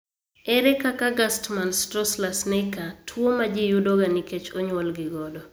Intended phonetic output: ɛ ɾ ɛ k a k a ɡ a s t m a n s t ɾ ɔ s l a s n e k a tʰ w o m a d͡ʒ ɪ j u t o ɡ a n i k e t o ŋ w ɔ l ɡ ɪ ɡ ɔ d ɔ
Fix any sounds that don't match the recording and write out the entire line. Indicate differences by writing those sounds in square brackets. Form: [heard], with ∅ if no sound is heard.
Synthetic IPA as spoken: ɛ ɾ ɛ k a k a ɡ a s t m a n s t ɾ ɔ s l a s n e k a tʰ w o m a d͡ʒ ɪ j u [d] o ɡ a n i k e [t͡ʃ] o [ɲ] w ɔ l ɡ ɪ ɡ ɔ d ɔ